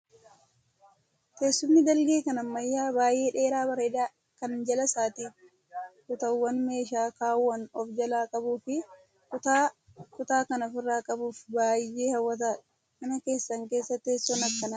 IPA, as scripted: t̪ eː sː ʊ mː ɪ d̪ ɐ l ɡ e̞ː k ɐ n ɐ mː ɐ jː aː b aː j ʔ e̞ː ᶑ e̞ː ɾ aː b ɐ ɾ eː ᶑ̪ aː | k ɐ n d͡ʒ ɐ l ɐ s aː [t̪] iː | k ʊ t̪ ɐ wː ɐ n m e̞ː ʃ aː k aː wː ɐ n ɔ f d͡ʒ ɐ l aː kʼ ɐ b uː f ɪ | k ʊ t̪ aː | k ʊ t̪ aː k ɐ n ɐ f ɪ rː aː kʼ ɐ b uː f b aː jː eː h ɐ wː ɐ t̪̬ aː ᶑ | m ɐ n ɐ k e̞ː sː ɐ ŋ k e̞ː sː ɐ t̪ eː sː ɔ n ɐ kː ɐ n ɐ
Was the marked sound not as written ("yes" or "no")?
no